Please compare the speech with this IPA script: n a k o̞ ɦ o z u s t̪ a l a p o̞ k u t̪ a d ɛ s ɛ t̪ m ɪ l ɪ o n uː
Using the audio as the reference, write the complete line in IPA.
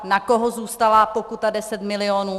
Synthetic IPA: n a k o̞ ɦ o z uː s t̪ a l a p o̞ k u t̪ a d ɛ s ɛ t̪ m ɪ l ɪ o n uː